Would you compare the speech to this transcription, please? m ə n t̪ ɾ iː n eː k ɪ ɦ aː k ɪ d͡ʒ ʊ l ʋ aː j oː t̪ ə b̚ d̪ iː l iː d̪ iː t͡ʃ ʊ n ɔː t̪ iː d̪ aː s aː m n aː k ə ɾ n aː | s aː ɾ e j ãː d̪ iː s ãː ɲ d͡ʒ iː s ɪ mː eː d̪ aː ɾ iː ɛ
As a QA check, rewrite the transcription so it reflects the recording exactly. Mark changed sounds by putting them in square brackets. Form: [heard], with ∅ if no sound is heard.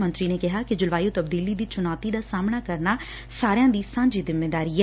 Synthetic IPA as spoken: m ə n t̪ ɾ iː n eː k ɪ ɦ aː k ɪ d͡ʒ ʊ l ʋ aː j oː t̪ ə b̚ d̪ iː l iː d̪ iː t͡ʃ ʊ n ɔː t̪ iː d̪ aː s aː m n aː k ə ɾ n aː | s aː ɾ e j ãː d̪ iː s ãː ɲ d͡ʒ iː [z] ɪ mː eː d̪ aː ɾ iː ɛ